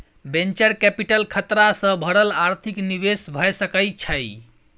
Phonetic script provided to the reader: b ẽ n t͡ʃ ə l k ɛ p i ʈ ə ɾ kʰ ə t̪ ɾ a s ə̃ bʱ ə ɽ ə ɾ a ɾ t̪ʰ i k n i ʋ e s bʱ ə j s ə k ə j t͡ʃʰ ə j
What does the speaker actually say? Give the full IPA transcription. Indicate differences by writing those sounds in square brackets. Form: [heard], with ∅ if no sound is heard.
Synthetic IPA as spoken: b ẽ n t͡ʃ ə [ɾ] k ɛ p i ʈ ə [l] kʰ ə t̪ ɾ a s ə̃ bʱ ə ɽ ə [l] a ɾ t̪ʰ i k n i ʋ e s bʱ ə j s ə k ə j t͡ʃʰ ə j